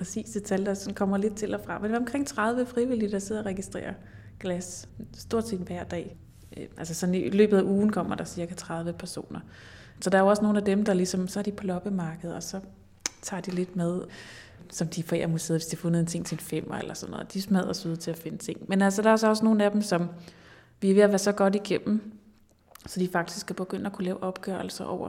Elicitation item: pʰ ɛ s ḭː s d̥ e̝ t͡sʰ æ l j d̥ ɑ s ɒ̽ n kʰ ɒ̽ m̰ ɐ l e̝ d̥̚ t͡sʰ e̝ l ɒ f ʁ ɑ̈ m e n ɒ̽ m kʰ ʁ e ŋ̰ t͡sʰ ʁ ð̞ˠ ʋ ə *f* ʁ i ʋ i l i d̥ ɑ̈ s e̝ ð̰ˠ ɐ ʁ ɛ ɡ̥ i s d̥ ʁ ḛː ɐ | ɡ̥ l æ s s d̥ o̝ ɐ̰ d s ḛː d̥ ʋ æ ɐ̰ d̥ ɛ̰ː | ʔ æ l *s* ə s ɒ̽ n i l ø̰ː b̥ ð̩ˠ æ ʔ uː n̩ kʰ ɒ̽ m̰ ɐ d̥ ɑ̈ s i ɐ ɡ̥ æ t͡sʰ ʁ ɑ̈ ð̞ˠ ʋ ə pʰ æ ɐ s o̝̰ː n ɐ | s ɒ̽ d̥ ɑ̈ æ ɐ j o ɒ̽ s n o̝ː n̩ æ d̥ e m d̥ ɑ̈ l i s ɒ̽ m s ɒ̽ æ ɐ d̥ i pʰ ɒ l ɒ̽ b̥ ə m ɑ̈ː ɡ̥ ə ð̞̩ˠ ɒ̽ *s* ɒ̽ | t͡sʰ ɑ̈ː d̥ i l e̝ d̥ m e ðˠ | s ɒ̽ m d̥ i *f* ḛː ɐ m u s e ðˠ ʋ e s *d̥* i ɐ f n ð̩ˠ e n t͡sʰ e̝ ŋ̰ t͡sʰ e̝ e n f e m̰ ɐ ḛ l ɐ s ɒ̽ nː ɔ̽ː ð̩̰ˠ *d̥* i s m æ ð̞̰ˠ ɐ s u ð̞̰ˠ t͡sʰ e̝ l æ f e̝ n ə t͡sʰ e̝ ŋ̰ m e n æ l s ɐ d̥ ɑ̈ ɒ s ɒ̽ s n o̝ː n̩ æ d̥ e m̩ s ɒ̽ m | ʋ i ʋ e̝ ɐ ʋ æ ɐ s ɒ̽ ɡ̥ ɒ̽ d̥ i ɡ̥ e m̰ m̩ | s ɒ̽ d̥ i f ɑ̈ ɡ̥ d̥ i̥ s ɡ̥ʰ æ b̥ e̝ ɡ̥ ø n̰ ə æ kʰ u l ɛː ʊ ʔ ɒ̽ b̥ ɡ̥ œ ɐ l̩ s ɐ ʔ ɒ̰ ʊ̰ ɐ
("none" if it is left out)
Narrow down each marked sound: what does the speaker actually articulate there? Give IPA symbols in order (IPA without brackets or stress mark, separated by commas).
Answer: f, s, s, f, d̥, d̥